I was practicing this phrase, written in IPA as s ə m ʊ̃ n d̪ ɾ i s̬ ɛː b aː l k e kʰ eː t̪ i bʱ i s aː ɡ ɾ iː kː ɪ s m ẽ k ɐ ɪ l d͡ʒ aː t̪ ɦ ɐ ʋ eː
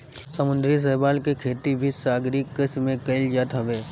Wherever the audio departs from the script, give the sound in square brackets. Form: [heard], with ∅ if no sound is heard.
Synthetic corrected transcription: s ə m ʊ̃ n d̪ ɾ i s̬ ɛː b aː l k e kʰ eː t̪ i bʱ i s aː ɡ ɾ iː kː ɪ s m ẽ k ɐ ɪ l d͡ʒ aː t̪ ɦ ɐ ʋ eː